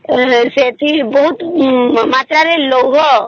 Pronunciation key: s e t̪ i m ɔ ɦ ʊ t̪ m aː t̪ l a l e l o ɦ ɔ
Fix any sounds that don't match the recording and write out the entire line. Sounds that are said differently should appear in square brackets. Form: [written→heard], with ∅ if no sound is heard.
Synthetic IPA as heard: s e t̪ i [m→b] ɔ ɦ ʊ t̪ m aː t̪ [l→ɾ] a [l→ɾ] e l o ɦ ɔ